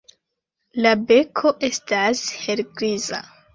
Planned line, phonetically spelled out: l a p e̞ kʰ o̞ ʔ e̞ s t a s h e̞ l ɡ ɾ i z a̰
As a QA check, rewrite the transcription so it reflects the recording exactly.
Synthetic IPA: l a b e̞ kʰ o̞ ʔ e̞ s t a s h e̞ l ɡ ɾ i z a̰